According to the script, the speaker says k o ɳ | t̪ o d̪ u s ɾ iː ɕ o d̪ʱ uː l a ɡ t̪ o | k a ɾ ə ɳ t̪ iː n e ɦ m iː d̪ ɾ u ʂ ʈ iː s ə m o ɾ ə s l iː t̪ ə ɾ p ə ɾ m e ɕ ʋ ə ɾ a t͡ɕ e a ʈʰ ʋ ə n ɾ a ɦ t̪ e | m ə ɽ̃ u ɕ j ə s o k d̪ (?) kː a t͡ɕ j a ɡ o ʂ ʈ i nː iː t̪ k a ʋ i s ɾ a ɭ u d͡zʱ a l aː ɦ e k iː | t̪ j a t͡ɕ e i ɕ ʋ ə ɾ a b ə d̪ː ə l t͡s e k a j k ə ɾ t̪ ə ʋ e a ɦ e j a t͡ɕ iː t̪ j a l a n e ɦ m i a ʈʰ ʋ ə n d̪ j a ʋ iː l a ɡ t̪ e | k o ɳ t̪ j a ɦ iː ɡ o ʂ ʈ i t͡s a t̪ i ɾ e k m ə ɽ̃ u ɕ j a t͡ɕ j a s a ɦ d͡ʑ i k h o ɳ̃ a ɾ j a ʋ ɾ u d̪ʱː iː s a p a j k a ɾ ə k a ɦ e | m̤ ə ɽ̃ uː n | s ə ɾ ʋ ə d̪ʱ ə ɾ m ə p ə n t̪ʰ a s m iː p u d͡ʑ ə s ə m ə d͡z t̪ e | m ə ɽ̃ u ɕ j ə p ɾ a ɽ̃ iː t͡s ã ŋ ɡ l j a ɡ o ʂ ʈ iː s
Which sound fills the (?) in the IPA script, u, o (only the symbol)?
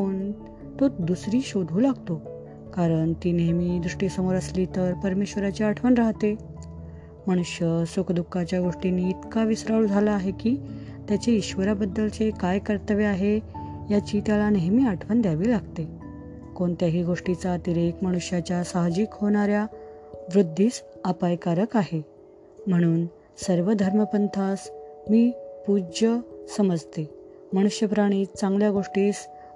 u